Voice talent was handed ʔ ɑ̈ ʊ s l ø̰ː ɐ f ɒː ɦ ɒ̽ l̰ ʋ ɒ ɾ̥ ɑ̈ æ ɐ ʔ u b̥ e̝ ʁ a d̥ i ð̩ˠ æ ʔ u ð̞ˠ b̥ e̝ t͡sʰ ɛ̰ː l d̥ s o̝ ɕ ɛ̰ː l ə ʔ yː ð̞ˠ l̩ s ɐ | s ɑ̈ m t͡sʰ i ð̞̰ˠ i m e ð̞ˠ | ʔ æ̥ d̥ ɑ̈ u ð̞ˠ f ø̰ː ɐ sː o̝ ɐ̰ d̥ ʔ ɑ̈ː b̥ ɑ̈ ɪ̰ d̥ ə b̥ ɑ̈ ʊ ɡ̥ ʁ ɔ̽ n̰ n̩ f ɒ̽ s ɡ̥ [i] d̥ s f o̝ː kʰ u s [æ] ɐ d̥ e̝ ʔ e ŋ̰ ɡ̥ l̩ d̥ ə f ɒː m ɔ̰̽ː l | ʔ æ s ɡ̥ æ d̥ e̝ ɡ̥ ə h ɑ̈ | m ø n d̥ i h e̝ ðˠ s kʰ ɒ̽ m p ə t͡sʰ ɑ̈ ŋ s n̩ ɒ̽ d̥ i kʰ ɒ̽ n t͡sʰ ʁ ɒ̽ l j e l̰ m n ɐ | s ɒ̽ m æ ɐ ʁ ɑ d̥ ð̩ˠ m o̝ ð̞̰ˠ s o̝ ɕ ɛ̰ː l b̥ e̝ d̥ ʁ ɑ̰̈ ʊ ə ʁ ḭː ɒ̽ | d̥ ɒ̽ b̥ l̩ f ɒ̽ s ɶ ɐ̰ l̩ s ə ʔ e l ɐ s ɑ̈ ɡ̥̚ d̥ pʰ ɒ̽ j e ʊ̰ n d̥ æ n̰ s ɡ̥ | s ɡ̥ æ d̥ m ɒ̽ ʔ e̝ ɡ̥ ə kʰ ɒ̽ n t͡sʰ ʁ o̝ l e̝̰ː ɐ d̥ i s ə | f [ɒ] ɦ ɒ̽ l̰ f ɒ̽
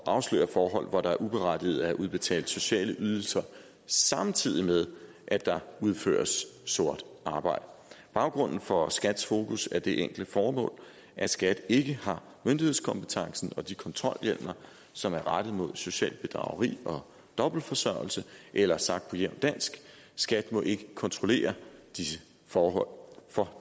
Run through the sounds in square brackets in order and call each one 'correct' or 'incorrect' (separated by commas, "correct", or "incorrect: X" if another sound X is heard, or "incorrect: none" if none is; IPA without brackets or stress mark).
incorrect: æ, correct, incorrect: ɒː